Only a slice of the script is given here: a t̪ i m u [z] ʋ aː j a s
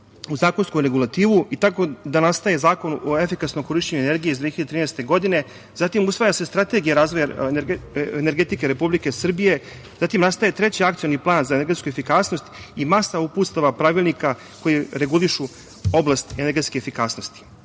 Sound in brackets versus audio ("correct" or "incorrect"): incorrect